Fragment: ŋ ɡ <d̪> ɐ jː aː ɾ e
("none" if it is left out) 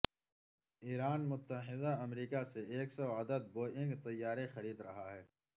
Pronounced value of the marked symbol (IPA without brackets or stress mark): t̪